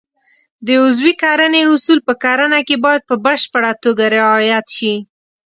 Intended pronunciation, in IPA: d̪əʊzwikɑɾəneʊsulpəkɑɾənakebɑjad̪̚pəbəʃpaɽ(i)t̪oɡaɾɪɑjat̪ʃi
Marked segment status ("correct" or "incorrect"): incorrect